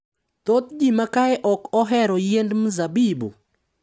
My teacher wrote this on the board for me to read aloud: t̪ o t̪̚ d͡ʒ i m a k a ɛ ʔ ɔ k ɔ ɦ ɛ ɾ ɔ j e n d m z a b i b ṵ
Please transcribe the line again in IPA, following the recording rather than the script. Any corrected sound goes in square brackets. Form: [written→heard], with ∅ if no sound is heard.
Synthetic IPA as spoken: t̪ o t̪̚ d͡ʒ i m a k a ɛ ʔ ɔ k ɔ ɦ ɛ ɾ ɔ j e n d m z a b i b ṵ